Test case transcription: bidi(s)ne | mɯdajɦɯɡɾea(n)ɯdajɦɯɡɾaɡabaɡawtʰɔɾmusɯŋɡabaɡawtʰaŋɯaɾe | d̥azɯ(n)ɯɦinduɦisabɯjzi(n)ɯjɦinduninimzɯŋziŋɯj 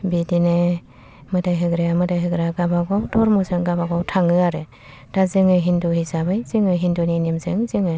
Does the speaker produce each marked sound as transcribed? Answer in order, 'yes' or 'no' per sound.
no, no, no, no

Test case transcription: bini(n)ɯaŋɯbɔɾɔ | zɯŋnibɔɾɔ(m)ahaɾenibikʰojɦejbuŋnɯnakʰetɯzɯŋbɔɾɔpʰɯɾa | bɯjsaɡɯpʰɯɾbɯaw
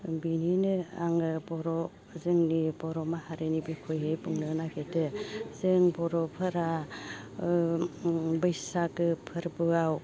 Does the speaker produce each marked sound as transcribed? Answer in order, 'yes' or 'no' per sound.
yes, yes

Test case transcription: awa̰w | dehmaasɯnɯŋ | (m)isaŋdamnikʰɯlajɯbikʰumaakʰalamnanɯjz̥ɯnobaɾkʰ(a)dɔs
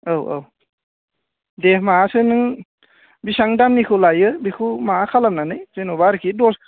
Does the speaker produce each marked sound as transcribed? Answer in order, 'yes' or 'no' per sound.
no, no

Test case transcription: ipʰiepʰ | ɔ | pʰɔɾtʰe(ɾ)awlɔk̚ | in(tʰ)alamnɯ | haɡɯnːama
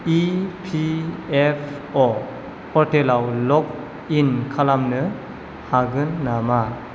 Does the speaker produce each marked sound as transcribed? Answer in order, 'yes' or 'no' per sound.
no, no

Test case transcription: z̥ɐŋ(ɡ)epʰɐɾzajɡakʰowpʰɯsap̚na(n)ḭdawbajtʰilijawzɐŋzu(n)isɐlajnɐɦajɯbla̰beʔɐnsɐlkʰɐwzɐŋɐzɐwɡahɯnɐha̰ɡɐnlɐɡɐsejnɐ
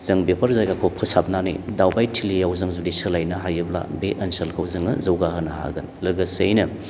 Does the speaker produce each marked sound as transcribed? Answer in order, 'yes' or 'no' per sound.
no, yes, no

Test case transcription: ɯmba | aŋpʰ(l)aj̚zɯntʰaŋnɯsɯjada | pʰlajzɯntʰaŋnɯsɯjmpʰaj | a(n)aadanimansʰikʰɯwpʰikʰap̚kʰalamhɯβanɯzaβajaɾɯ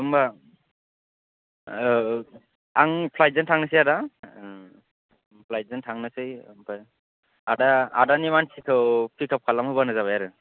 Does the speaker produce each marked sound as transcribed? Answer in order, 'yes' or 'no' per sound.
yes, no

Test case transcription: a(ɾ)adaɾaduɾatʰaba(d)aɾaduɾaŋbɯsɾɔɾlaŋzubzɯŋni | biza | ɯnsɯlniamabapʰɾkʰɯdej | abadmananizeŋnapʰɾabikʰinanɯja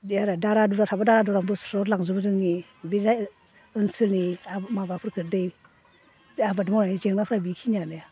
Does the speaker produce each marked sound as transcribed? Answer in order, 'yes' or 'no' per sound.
yes, yes

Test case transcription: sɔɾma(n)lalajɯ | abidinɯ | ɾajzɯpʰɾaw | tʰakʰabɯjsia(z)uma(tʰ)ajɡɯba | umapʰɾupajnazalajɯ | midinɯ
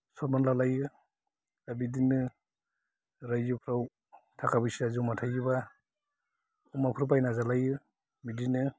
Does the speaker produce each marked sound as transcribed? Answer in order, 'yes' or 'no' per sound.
yes, yes, yes

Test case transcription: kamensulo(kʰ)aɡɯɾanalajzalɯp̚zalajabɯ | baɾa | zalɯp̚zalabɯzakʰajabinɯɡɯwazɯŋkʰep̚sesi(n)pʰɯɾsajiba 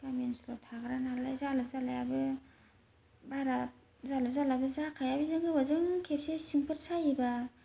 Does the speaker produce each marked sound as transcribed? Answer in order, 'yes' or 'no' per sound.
no, no

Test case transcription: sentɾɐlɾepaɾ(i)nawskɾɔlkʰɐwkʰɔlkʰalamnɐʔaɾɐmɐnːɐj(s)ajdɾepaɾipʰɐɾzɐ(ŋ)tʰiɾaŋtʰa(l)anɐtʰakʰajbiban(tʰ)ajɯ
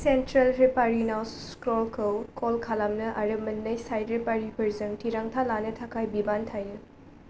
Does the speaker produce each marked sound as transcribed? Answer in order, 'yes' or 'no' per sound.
yes, yes, yes, yes, yes

